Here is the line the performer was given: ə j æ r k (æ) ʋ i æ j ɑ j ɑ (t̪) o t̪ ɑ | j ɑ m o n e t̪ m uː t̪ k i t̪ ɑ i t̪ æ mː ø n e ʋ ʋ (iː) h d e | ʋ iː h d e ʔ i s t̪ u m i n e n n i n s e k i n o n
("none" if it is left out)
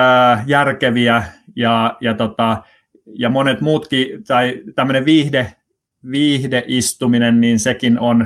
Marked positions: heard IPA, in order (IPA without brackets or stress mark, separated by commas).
e, t̪, iː